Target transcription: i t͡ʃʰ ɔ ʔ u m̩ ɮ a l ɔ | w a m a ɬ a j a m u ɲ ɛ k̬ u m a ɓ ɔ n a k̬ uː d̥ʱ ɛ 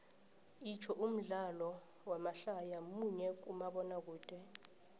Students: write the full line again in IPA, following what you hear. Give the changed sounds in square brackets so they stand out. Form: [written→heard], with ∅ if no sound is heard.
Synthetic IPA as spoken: i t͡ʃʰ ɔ ʔ u m̩ ɮ a l ɔ | w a m a ɬ a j a m u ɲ ɛ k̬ u m a ɓ ɔ n a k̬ uː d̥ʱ ɛ